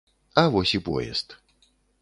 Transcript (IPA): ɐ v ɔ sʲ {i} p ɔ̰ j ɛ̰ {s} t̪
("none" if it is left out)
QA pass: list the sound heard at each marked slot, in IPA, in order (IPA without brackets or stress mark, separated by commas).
i, s